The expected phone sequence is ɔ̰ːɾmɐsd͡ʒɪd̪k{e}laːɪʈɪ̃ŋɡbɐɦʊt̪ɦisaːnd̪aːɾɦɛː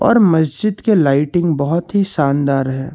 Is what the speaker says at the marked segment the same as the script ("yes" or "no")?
yes